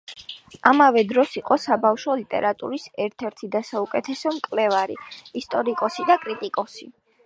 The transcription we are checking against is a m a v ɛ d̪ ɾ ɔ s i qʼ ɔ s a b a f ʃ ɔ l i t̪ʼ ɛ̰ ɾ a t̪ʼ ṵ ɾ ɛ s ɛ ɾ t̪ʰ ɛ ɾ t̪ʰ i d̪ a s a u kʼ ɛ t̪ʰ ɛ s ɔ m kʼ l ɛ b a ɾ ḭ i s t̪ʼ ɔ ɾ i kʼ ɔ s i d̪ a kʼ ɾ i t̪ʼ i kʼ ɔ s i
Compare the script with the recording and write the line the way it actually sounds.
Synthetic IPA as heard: a m a v ɛ d̪ ɾ ɔ s i qʼ ɔ s a b a f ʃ ɔ l i t̪ʼ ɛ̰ ɾ a t̪ʼ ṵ ɾ i s ɛ ɾ t̪ʰ ɛ ɾ t̪ʰ i d̪ a s a u kʼ ɛ t̪ʰ ɛ s ɔ m kʼ l ɛ v a ɾ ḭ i s t̪ʼ ɔ ɾ i kʼ ɔ s i d̪ a kʼ ɾ i t̪ʼ i kʼ ɔ s i